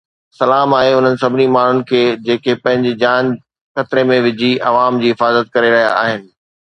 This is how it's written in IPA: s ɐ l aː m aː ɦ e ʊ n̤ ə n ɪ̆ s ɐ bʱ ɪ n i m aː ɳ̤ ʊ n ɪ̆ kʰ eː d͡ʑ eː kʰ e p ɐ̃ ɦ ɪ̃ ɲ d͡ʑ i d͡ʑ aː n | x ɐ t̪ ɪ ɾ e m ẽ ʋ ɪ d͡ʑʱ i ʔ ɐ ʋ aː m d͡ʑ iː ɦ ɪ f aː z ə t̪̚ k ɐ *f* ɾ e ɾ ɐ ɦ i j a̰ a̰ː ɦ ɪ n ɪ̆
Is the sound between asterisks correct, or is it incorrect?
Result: incorrect: none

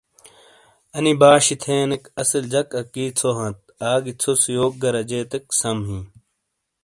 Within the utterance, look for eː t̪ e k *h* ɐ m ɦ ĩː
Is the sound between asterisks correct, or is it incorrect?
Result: incorrect: s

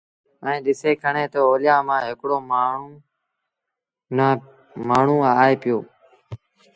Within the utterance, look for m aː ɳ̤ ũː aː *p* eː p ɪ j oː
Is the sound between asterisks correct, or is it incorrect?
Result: incorrect: none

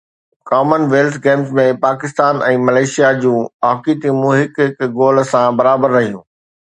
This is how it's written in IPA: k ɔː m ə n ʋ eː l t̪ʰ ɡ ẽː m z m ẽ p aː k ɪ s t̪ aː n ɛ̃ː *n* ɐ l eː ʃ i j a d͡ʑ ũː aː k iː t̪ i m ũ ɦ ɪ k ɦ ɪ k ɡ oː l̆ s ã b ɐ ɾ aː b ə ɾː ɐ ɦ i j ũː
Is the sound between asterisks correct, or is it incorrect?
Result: incorrect: m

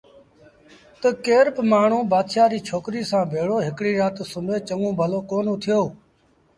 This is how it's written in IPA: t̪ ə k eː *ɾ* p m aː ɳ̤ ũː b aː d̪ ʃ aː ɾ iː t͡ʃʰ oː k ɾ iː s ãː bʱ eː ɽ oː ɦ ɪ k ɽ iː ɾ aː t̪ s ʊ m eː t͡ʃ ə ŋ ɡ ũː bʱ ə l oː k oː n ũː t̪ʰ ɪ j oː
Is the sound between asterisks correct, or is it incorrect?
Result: correct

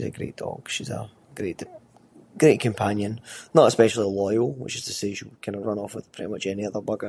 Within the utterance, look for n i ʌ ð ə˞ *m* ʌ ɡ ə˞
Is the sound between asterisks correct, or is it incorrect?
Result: incorrect: b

